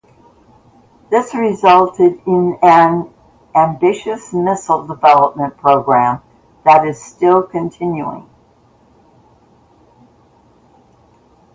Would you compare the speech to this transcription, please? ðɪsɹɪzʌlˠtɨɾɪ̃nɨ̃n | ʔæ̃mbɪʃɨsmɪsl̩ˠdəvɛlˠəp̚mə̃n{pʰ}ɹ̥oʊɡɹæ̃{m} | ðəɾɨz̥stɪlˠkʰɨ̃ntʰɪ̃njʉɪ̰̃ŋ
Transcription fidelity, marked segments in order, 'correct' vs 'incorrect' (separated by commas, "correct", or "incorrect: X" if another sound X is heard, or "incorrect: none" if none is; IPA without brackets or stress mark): correct, correct